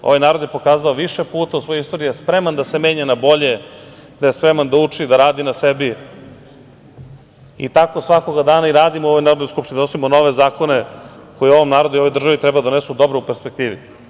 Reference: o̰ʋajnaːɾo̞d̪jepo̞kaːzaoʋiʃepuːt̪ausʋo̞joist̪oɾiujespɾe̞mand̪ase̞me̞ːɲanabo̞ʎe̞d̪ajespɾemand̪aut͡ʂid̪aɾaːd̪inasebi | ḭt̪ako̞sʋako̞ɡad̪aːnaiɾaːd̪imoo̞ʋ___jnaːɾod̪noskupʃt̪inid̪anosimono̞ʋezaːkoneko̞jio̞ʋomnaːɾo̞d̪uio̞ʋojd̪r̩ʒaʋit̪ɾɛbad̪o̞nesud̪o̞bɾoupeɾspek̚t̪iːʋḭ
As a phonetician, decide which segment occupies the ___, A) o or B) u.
A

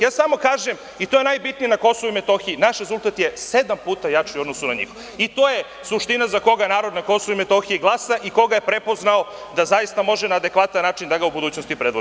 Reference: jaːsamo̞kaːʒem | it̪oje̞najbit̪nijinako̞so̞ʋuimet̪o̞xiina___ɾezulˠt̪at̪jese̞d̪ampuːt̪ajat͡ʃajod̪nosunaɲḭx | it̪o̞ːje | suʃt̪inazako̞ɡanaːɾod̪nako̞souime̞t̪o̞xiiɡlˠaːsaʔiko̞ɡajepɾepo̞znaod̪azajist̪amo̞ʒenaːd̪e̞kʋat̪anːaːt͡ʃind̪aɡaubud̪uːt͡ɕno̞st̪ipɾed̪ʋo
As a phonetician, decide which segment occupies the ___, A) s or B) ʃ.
B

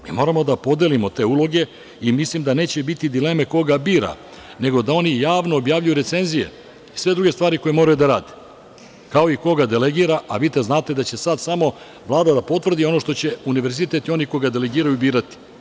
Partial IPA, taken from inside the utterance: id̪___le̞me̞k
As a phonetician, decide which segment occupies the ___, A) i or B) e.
A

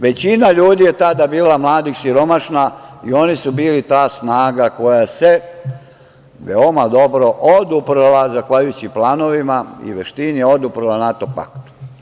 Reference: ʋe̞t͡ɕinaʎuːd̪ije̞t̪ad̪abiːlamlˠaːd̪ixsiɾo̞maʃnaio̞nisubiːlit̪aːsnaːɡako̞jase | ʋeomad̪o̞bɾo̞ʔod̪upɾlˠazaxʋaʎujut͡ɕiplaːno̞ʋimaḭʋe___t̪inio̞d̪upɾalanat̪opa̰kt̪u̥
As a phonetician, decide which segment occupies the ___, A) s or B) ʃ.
B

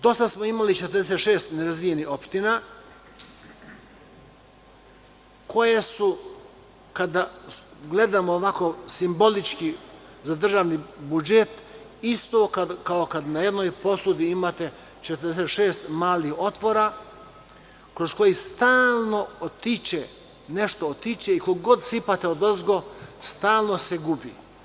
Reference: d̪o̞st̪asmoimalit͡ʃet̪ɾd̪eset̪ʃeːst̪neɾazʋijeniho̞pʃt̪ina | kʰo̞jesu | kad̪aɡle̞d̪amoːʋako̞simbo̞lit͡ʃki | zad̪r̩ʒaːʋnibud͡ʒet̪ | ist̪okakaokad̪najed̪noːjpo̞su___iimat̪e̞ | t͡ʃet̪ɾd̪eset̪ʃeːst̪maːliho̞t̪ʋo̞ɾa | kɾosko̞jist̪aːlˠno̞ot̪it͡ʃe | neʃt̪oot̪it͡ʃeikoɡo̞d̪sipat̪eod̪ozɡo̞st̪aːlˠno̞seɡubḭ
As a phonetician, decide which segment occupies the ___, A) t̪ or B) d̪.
B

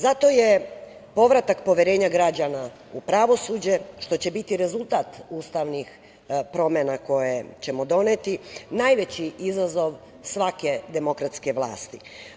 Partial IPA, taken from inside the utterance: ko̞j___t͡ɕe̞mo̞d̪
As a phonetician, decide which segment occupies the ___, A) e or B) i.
A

